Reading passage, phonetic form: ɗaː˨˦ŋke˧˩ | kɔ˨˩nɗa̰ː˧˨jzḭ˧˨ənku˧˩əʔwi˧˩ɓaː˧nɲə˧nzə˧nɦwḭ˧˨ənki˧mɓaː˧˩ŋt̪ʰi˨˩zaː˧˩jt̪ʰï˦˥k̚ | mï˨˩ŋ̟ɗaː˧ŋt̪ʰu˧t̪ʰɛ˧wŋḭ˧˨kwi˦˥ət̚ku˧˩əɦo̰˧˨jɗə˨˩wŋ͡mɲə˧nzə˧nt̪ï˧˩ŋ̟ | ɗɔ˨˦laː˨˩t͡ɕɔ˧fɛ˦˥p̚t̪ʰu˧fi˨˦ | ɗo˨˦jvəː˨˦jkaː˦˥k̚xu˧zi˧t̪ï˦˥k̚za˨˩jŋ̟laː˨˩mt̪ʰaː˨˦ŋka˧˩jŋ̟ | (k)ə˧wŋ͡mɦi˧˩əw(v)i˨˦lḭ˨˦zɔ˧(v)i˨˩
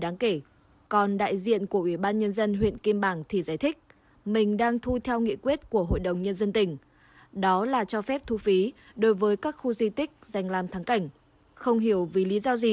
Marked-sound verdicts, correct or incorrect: incorrect: x, correct, incorrect: z

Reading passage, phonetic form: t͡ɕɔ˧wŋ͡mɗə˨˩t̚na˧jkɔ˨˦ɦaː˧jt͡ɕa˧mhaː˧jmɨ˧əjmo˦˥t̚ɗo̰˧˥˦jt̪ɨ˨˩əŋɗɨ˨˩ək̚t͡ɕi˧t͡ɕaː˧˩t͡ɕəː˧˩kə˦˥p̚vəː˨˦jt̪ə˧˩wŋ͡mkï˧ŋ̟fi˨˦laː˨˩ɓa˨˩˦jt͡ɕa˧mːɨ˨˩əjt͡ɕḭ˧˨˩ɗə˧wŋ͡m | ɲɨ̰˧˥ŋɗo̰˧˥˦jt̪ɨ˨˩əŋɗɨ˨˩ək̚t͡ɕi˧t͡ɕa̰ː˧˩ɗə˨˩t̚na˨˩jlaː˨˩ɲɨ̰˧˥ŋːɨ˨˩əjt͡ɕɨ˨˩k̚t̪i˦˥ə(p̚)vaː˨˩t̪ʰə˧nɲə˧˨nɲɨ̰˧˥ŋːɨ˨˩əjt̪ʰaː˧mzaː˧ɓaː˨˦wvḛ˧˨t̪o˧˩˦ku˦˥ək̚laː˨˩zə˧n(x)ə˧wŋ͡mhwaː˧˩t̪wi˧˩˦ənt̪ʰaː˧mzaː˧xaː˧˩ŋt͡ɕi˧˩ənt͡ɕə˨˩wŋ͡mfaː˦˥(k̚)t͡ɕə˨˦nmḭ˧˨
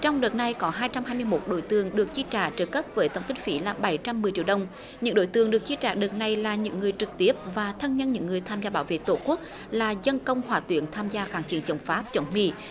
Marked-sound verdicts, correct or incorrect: correct, incorrect: k, incorrect: p̚

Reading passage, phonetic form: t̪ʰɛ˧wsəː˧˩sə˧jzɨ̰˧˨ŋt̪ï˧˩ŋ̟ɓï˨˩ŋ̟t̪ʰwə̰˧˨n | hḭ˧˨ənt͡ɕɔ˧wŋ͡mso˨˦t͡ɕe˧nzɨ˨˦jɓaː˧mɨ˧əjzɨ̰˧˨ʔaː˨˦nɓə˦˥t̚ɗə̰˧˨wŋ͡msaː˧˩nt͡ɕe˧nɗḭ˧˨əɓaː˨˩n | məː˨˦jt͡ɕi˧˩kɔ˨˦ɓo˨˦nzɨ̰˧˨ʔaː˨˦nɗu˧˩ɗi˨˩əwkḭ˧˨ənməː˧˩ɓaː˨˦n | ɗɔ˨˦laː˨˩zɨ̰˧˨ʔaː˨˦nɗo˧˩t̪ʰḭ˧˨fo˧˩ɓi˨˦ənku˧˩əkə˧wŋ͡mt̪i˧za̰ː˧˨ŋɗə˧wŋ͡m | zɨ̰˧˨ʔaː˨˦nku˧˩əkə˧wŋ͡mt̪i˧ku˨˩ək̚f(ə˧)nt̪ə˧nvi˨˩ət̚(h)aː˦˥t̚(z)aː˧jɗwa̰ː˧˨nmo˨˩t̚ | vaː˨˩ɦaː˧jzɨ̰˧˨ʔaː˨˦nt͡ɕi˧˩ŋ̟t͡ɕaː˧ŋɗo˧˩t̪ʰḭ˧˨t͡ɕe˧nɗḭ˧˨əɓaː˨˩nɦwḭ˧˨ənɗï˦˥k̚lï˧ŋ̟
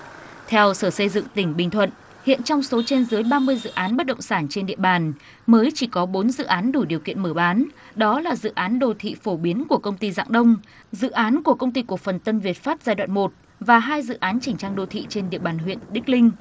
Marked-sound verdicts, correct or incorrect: incorrect: ə˨˩, incorrect: f, correct

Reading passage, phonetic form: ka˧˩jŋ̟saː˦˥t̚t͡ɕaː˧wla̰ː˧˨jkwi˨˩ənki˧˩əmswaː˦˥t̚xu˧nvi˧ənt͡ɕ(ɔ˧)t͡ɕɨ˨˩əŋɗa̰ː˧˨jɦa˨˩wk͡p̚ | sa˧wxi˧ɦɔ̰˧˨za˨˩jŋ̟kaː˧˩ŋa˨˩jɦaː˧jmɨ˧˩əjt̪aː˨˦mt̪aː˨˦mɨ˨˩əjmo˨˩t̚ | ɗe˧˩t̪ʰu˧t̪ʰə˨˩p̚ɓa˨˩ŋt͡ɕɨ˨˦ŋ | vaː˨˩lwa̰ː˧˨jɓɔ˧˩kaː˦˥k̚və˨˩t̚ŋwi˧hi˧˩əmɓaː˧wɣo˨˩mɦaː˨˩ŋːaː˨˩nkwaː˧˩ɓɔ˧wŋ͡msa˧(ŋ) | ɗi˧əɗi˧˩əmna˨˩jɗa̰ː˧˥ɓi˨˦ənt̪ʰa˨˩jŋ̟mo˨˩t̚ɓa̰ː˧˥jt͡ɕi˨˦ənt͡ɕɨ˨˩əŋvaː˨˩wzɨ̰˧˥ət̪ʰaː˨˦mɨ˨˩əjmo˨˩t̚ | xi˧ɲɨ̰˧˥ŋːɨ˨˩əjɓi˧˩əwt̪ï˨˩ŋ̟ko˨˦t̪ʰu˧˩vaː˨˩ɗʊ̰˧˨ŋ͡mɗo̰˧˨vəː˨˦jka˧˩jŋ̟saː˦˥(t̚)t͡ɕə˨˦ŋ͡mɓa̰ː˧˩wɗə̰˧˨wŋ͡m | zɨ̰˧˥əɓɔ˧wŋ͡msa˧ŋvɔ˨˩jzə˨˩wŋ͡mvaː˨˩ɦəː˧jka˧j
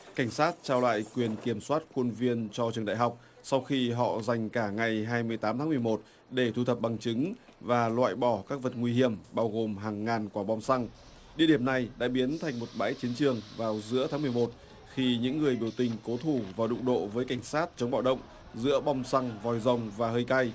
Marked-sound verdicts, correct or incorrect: correct, correct, correct

